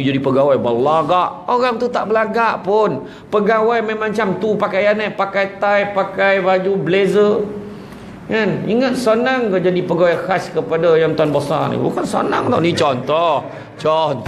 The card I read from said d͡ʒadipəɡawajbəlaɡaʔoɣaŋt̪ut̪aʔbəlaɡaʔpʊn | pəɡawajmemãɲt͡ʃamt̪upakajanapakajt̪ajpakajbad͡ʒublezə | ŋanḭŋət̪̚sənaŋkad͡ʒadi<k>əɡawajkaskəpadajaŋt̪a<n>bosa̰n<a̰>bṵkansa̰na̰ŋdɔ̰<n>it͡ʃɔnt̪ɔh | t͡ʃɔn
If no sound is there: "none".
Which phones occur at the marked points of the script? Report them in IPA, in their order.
p, n, ḭ, n

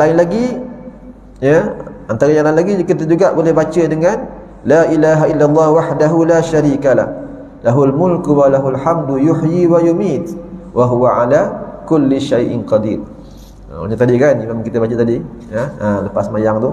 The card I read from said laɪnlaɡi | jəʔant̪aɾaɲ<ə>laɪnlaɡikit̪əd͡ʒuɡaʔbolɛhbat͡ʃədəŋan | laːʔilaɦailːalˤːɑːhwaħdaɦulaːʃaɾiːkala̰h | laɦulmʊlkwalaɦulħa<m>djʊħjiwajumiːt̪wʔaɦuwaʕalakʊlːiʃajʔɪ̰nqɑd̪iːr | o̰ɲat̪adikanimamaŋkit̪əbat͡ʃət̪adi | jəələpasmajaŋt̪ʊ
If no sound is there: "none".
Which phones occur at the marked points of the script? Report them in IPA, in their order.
a, m

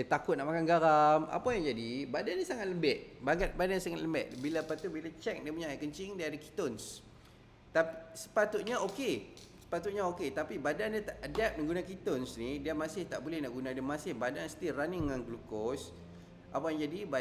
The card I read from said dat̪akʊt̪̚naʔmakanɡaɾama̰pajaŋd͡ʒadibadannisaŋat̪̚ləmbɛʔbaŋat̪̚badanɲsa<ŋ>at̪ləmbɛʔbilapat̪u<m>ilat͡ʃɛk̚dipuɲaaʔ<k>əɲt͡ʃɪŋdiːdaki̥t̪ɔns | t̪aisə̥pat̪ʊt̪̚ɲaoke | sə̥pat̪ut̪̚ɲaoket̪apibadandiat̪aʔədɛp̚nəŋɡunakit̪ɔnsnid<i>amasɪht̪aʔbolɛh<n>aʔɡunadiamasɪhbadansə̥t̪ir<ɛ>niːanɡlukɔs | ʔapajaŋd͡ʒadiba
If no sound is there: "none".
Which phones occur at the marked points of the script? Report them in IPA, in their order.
ŋ, b, k, i, n, a

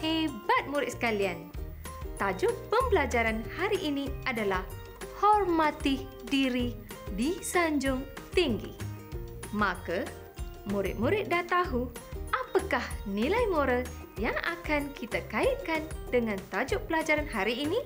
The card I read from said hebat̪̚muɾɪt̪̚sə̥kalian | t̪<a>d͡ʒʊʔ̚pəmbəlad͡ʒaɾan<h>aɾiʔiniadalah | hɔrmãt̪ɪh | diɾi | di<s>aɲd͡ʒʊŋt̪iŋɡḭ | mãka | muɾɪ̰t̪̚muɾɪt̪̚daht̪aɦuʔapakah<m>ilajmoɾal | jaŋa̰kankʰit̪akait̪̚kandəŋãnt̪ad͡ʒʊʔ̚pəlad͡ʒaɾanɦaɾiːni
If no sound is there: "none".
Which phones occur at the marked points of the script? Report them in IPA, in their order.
a, h, s, n

